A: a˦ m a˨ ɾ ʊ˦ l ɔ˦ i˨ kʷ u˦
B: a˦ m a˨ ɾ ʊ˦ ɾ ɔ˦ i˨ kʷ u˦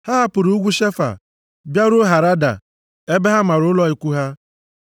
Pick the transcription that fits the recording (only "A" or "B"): A